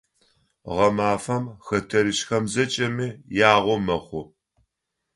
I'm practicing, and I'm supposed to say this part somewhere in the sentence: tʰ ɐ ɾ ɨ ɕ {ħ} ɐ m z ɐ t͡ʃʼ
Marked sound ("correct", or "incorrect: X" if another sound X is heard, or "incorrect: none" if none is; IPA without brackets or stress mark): incorrect: x